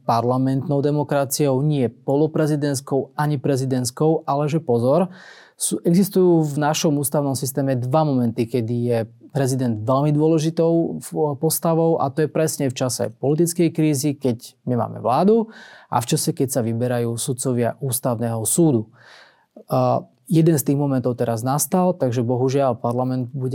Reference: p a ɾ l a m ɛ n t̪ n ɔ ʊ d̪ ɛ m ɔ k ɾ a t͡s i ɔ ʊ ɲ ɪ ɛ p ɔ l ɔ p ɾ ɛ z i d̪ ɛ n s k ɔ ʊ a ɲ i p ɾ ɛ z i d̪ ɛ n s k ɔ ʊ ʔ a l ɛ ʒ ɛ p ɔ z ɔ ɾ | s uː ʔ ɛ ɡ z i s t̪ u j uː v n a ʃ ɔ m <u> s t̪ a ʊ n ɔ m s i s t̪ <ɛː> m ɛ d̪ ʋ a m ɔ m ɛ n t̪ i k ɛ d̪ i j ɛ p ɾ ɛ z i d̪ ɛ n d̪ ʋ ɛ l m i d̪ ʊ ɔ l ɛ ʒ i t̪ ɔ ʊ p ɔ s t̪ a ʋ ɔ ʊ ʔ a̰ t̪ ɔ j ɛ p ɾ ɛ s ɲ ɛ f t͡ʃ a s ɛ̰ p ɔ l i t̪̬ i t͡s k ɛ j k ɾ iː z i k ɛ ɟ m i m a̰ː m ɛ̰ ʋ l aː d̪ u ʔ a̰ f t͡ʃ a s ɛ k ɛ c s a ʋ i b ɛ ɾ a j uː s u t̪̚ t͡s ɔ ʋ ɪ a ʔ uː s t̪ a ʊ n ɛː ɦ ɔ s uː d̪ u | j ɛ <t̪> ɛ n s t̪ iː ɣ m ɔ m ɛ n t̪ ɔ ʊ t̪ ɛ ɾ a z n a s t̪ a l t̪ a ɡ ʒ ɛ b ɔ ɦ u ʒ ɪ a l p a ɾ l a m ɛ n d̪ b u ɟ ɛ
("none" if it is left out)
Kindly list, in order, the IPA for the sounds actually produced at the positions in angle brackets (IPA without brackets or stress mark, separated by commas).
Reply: uː, ɛː, d̪